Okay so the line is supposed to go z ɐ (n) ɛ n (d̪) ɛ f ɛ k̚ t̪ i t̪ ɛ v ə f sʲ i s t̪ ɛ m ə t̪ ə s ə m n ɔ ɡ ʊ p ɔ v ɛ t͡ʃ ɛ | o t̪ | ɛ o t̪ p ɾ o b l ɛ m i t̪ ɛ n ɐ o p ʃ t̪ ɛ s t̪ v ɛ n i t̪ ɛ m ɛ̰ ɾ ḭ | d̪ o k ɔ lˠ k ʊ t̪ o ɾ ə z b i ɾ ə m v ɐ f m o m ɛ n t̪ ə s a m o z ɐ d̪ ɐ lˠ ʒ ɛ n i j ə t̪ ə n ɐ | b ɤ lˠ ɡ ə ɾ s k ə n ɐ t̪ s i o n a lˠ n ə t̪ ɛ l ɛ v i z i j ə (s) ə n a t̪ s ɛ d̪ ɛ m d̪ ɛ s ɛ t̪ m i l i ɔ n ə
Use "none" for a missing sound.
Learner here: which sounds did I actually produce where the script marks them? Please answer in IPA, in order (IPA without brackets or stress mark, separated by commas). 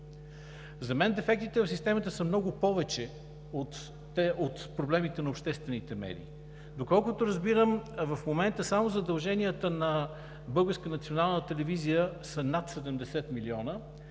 m, d̪, s